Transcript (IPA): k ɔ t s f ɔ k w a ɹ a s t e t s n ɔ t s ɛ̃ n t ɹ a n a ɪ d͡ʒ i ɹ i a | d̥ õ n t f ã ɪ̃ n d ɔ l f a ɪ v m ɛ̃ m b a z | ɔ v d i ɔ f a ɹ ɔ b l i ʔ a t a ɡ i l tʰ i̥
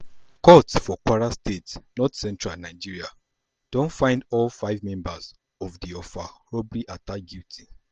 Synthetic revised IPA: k ɔ t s f ɔ k w a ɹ a s t e t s n ɔ t s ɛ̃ n t ɹ a n a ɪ d͡ʒ i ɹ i a | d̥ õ n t f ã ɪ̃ n d ɔ l f a ɪ v m ɛ̃ m b a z | ɔ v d i ɔ f a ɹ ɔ b l i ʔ a t a ɡ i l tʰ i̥

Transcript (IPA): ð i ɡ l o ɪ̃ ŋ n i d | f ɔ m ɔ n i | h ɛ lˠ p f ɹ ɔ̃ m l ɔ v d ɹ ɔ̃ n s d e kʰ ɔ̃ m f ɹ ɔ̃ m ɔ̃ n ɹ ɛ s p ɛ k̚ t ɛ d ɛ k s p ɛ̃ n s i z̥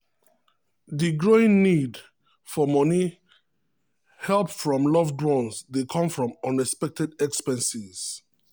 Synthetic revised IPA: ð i ɡ ɹ o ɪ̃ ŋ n i d | f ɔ m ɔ n i | h ɛ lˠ p f ɹ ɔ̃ m l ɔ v d ɹ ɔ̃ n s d e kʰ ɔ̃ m f ɹ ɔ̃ m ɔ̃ n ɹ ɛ s p ɛ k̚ t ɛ d ɛ k s p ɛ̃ n s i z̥

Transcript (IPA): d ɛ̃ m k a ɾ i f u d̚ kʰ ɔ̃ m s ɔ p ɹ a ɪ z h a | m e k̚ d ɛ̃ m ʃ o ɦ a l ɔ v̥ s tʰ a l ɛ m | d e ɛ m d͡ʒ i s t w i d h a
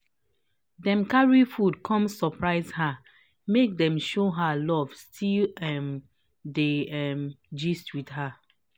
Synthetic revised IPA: d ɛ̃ m k a ɹ i f u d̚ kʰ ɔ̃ m s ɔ p ɹ a ɪ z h a | m e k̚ d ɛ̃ m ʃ o ɦ a l ɔ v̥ s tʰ i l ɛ m | d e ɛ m d͡ʒ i s t w i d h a

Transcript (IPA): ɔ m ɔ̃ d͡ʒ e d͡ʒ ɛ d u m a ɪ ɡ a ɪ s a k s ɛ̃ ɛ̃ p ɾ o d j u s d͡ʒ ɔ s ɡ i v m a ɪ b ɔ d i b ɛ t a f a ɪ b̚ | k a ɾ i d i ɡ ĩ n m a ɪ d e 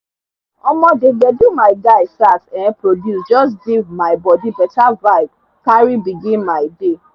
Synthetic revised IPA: ɔ m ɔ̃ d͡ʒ e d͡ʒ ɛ d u m a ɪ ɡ a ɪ s a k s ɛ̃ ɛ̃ p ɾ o d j u s d͡ʒ ɔ s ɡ i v m a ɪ b ɔ d i b ɛ t a v a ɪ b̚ | k a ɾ i b i ɡ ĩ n m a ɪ d e

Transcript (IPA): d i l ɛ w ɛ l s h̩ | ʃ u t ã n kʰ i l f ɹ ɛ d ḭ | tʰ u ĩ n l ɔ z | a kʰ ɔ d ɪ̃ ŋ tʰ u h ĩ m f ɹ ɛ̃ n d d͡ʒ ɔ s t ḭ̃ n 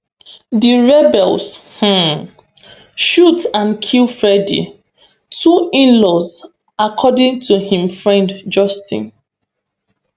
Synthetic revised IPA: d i ɹ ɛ b ɛ l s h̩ | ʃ u t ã n kʰ i l f ɹ ɛ d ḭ | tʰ u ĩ n l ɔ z | a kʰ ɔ d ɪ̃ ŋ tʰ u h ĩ m f ɹ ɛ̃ n d d͡ʒ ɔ s t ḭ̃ n

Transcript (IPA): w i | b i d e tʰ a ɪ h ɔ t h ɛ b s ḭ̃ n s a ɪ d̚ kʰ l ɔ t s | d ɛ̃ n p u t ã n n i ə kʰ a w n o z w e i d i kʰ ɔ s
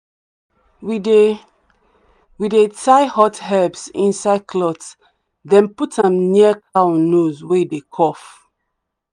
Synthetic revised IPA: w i | w i d e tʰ a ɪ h ɔ t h ɛ b s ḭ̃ n s a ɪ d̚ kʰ l ɔ t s | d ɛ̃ n p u t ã m n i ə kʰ a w n o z w e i d e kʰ ɔ f

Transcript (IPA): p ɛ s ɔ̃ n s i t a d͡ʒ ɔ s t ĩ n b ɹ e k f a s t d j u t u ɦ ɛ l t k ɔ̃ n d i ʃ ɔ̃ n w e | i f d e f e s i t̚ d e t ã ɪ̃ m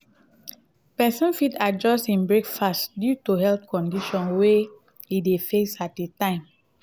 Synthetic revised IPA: p ɛ s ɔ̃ n f i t a d͡ʒ ɔ s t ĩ n b ɹ e k f a s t d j u t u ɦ ɛ l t k ɔ̃ n d i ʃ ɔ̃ n w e | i d e f e s a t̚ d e t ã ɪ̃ m

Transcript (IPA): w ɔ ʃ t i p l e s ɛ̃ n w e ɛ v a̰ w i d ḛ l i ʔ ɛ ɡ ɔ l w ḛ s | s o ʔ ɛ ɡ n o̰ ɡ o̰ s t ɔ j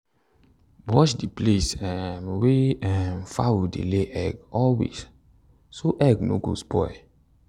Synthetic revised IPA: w ɔ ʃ d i p l e s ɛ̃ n w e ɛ f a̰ w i d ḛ l e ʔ ɛ ɡ ɔ l w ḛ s | s o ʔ ɛ ɡ n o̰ ɡ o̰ s p ɔ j

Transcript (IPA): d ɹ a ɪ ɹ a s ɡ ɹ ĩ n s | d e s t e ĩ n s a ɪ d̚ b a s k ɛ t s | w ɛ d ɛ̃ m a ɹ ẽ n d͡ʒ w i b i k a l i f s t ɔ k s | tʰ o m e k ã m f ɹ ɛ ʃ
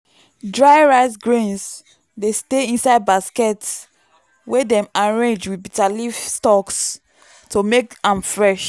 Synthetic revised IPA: d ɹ a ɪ ɹ a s ɡ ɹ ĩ n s | d e s t e ĩ n s a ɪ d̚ b a s k ɛ t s | w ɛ d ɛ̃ m a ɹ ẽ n d͡ʒ w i b i t a l i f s t ɔ k s | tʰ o m e k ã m f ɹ ɛ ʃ

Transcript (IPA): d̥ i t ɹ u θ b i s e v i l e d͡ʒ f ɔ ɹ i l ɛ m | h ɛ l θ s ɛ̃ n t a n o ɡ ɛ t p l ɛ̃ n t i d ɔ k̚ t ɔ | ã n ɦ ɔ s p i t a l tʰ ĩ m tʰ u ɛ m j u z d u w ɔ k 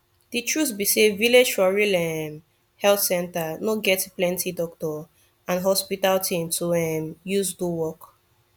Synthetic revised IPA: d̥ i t ɹ u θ b i s e v i l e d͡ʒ f ɔ ɹ i l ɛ m | h ɛ l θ s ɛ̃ n t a n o ɡ ɛ t p l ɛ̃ n t i d ɔ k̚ t ɔ | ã n ɦ ɔ s p i t a l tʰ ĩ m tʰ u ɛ m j u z d u w ɔ k

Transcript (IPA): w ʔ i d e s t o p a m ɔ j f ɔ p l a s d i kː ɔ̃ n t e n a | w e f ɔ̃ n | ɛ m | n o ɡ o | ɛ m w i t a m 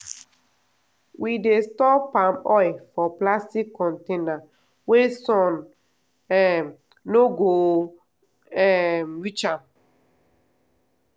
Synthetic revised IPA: w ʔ i d e s t ɔ p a m ɔ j f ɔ p l a s t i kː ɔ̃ n t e n a | w e s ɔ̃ n | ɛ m | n o ɡ o | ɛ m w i t͡ʃ a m

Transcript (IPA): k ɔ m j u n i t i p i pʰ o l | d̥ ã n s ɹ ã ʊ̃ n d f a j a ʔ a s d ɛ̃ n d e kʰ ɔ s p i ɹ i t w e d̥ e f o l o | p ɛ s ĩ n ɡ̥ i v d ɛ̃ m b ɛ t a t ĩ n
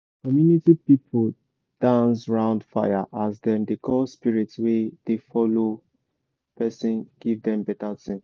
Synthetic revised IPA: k ɔ m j u n i t i p i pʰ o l | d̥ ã n s ɹ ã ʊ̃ n d f a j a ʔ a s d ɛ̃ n d e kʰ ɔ s p i ɹ i t w e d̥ e f ɔ l o | p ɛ s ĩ n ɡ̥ i v d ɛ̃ m b ɛ t a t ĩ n

